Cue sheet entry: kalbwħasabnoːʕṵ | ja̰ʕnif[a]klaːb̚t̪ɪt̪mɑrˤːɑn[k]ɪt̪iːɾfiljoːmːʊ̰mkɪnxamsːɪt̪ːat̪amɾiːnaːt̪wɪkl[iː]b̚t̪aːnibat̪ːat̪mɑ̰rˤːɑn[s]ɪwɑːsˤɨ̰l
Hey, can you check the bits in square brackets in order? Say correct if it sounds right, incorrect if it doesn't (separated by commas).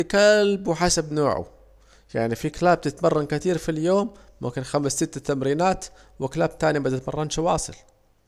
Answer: incorrect, correct, incorrect, incorrect